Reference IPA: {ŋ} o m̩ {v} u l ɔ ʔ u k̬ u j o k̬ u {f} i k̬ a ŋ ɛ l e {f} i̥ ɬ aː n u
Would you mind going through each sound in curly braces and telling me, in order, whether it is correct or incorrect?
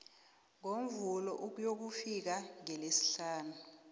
correct, correct, correct, incorrect: s

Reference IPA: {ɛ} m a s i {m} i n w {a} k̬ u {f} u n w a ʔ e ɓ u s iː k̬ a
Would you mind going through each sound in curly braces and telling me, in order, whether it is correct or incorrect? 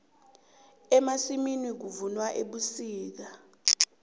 correct, correct, incorrect: i, incorrect: v

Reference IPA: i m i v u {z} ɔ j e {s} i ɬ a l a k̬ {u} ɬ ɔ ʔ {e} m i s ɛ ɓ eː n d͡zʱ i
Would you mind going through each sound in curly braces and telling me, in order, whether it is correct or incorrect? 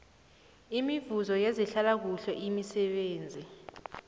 correct, incorrect: z, correct, incorrect: i

